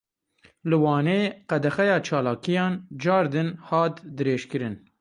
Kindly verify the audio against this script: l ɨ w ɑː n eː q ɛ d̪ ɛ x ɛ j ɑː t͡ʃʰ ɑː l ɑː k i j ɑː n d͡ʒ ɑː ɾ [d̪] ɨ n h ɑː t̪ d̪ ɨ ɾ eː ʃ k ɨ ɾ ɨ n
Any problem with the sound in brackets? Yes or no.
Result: no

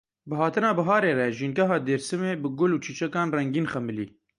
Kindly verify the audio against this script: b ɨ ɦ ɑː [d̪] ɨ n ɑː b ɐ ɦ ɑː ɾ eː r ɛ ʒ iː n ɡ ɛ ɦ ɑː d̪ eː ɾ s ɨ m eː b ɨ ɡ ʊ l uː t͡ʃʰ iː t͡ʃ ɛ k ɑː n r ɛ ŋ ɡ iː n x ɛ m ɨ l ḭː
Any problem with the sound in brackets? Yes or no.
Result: yes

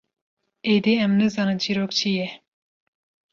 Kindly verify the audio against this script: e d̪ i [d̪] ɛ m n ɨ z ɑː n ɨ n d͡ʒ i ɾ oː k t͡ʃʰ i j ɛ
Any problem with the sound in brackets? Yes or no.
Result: yes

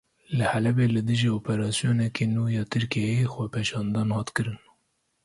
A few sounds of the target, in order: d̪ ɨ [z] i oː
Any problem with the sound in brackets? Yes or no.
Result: yes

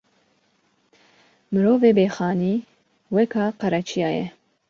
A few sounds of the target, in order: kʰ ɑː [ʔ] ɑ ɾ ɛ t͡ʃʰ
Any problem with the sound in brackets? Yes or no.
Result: yes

